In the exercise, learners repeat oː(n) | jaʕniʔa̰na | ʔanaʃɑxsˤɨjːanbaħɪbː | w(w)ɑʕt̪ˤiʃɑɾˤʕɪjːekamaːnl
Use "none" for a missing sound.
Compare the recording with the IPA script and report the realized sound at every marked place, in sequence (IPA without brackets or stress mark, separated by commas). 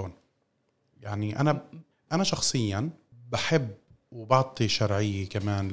n, b